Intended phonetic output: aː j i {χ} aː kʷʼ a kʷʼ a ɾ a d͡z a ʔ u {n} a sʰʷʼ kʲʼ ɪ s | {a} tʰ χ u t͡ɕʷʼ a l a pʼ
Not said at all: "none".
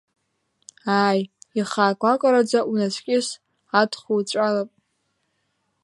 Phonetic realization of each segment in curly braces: χ, n, a

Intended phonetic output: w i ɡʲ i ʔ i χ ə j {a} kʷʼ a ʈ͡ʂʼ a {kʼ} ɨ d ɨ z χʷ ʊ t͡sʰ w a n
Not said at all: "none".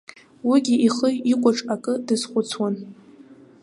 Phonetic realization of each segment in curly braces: i, kʼ

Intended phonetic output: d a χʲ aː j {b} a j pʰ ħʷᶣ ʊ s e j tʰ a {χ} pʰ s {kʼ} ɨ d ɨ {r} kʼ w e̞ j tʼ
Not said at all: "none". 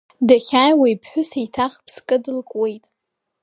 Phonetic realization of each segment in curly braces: w, χ, kʼ, l

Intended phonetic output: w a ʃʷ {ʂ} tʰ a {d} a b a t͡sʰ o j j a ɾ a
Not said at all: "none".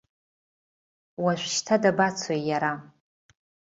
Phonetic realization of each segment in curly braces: ʃ, d

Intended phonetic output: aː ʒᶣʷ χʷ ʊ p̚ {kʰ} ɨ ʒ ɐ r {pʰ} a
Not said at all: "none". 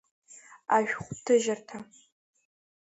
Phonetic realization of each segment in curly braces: tʰ, tʰ

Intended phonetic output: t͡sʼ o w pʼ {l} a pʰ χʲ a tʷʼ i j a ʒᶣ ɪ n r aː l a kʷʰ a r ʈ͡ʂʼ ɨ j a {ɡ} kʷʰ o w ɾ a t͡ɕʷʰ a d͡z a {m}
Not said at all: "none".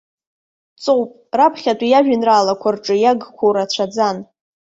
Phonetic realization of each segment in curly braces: r, ɡ, n

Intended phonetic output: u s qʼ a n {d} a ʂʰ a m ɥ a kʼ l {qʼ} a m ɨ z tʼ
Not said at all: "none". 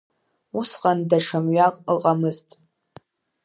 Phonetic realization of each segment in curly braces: d, qʼ

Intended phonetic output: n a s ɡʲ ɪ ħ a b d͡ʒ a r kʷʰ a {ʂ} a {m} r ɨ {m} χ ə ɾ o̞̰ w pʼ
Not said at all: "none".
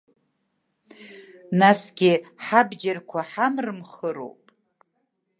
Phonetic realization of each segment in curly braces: ħ, m, m

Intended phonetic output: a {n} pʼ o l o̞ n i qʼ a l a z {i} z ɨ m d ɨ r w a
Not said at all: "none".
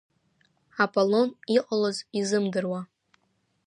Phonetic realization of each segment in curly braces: none, i

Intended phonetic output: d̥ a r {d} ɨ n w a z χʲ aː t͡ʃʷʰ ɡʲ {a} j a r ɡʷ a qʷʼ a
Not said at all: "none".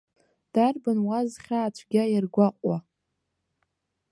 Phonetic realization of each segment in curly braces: b, a

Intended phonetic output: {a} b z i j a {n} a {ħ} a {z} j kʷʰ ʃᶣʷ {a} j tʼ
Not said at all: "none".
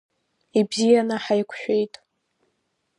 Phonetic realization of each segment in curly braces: i, n, ħ, none, e

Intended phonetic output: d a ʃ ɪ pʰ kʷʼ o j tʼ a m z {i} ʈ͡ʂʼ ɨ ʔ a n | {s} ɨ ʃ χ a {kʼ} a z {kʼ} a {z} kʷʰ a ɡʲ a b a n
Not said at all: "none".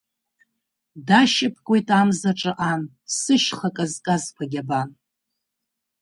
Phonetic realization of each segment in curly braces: a, s, kʼ, kʼ, z

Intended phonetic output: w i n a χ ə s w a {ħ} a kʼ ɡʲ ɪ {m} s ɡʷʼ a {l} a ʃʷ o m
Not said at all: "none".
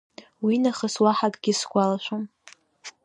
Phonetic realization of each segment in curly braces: ħ, none, l

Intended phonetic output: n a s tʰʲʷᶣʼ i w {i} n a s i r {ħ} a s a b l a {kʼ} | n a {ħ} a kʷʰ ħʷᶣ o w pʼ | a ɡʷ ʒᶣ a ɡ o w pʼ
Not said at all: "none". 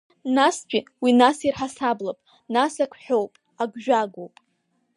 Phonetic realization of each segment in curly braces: i, ħ, pʼ, s

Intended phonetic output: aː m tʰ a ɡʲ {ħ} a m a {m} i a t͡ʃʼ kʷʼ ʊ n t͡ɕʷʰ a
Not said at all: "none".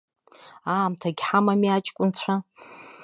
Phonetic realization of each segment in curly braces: ħ, m

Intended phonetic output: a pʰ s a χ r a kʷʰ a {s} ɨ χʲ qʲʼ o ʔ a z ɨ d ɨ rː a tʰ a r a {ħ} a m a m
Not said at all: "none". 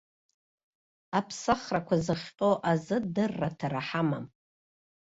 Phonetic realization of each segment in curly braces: z, ħ

